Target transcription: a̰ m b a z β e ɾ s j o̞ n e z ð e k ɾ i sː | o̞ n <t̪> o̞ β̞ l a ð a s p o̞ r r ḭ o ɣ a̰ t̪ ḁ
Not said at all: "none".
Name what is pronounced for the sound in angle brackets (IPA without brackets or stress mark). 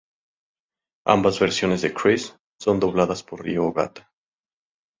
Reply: d̪